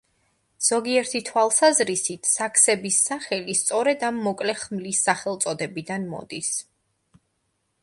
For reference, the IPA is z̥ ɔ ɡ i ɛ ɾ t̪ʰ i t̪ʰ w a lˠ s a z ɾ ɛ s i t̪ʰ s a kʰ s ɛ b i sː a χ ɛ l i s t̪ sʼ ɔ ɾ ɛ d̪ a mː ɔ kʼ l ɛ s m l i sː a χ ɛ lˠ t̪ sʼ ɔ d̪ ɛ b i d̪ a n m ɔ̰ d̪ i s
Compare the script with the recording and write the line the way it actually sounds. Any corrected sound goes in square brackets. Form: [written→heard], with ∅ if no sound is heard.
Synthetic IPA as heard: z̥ ɔ ɡ i ɛ ɾ t̪ʰ i t̪ʰ w a lˠ s a z ɾ [ɛ→i] s i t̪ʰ s a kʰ s ɛ b i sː a χ ɛ l i s t̪ sʼ ɔ ɾ ɛ d̪ a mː ɔ kʼ l ɛ [s→χ] m l i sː a χ ɛ lˠ t̪ sʼ ɔ d̪ ɛ b i d̪ a n m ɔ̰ d̪ i s